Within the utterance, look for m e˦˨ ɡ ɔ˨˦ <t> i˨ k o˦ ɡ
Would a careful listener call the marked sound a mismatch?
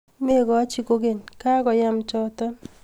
yes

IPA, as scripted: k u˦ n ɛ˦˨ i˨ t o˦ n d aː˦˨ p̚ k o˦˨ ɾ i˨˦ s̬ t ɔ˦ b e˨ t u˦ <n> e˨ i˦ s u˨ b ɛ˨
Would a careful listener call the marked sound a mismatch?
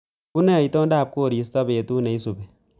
no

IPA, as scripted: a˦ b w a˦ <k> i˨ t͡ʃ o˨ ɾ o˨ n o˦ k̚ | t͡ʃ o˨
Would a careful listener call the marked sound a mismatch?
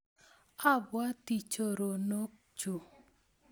yes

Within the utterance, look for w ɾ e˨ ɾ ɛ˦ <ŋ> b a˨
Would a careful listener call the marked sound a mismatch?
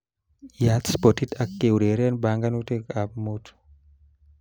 yes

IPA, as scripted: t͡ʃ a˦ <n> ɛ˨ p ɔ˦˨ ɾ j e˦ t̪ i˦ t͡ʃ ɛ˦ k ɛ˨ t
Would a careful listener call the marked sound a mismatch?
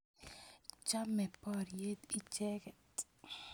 yes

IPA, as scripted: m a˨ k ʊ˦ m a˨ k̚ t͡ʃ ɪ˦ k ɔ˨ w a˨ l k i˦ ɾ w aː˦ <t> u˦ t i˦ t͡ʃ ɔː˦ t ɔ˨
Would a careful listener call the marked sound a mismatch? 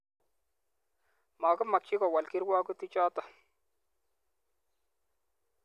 yes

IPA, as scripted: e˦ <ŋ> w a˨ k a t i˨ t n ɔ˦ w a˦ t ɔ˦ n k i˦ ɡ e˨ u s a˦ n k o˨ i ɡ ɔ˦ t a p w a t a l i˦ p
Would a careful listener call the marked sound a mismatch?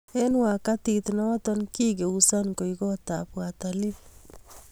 yes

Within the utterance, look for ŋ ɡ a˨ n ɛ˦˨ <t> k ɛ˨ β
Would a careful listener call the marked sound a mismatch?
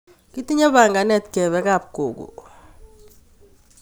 no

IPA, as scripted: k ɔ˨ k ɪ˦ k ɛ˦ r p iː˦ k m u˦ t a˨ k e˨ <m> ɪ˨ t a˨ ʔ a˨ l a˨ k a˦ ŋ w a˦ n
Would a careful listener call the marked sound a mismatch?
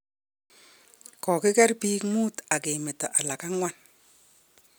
no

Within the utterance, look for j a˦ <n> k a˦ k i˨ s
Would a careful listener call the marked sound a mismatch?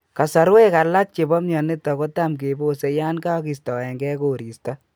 no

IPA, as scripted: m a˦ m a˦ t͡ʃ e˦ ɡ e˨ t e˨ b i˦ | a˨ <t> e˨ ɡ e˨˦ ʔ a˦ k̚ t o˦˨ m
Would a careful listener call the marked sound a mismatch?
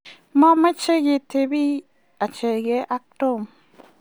yes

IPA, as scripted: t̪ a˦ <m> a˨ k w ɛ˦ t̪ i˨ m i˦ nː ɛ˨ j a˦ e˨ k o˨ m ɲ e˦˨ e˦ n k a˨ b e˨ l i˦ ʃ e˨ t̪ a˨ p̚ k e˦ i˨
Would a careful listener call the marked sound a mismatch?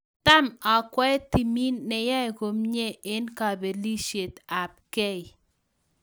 no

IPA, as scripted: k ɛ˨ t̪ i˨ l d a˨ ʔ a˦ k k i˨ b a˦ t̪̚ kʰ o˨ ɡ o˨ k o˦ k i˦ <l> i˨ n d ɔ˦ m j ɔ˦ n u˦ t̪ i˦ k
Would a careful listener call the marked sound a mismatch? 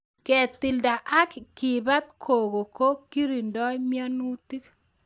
yes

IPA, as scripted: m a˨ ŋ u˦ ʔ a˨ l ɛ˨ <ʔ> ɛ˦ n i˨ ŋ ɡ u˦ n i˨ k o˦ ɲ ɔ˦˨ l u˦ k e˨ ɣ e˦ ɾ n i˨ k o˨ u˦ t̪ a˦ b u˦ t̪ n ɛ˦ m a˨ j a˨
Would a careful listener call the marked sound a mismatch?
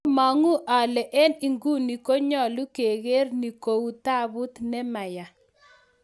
no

